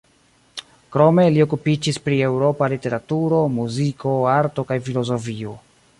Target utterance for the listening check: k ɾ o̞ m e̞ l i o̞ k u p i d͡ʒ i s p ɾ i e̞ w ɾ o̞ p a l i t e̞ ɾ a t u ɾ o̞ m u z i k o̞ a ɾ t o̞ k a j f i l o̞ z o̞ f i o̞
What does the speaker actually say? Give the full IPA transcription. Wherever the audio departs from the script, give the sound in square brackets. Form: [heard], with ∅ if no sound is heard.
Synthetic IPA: k ɾ o̞ m e̞ l i o̞ k u p i d͡ʒ i s p ɾ i e̞ w ɾ o̞ p a l i t e̞ ɾ a t u ɾ o̞ m u z i k o̞ a ɾ t o̞ k a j f i l o̞ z o̞ f i o̞